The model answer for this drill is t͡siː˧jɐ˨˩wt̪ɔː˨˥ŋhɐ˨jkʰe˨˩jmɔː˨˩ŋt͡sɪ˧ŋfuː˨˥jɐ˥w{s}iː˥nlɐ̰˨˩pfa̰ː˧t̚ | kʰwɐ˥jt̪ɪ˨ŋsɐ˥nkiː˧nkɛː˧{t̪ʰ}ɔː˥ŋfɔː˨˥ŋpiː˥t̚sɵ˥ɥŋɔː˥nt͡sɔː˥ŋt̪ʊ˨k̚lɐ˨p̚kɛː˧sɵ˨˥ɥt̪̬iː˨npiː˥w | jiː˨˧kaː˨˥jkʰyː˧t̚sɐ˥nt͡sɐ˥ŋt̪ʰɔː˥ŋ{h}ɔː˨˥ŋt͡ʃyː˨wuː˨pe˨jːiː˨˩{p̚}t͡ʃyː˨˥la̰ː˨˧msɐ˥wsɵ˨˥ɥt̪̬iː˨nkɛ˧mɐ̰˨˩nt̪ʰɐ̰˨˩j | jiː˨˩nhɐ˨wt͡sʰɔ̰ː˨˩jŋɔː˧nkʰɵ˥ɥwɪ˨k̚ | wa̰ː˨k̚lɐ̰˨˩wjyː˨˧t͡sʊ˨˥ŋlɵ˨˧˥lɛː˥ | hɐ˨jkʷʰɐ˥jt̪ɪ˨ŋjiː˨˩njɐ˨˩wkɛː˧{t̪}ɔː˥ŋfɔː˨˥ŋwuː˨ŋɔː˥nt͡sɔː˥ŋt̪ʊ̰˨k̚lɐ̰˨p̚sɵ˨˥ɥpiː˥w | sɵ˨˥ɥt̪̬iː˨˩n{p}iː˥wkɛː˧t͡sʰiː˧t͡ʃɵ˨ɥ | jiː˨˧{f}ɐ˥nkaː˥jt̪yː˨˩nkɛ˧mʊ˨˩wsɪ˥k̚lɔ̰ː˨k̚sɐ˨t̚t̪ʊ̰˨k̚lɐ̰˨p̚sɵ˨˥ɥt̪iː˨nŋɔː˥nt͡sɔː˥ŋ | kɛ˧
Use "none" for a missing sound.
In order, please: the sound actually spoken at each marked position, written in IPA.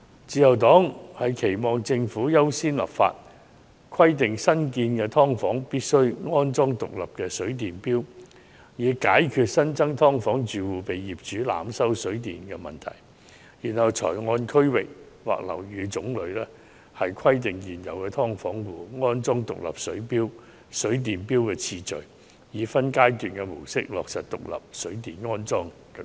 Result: s, t̪ʰ, f, p̚, t̪ʰ, p, f

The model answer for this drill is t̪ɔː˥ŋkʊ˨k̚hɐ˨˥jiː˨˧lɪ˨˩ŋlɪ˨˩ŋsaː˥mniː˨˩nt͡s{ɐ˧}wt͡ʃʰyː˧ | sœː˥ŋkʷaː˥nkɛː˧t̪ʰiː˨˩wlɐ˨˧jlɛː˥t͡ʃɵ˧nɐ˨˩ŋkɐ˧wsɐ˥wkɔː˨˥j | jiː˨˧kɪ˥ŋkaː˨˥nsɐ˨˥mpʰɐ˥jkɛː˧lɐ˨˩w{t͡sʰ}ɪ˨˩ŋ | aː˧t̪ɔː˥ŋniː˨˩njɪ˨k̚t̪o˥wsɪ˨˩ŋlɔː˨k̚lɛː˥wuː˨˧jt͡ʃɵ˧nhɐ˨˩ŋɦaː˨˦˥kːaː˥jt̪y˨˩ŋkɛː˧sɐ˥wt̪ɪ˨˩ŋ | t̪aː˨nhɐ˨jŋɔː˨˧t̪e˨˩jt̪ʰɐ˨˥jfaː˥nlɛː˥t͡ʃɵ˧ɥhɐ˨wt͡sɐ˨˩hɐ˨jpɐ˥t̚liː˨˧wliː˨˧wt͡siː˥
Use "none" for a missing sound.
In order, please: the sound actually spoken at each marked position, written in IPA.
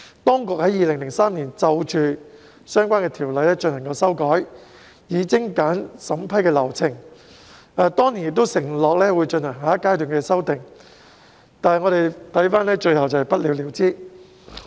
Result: ɐ˧, t͡sʰ

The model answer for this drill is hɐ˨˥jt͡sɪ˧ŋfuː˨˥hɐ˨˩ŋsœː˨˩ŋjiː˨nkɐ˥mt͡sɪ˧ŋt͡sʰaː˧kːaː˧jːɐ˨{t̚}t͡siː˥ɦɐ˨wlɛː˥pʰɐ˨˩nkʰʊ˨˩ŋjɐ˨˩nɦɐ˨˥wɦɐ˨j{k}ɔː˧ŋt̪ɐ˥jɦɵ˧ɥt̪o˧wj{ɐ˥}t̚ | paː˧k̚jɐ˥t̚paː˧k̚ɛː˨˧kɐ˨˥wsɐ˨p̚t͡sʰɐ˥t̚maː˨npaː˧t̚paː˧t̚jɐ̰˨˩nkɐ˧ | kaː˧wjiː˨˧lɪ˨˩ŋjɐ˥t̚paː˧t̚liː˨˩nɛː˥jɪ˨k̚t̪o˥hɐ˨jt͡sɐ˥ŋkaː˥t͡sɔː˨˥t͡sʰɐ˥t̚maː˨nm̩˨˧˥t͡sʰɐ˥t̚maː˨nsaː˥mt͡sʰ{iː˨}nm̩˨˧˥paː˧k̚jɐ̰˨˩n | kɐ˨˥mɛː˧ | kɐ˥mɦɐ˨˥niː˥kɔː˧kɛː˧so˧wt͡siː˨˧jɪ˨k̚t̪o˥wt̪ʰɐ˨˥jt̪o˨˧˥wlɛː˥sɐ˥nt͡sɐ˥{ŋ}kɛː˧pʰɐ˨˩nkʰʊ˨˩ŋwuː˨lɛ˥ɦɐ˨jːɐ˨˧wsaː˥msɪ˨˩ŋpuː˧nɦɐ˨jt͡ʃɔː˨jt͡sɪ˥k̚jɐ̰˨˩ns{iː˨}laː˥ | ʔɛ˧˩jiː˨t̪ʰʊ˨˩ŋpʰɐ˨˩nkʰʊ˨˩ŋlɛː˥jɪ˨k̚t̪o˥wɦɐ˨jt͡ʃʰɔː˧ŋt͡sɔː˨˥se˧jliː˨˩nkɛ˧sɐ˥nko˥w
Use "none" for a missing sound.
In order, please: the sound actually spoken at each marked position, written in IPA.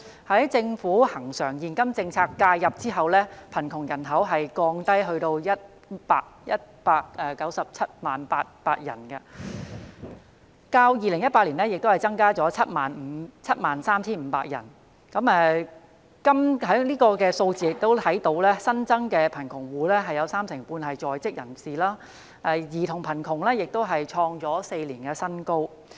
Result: p̚, k, ɐ˥, iː˥, ŋ, iː˨

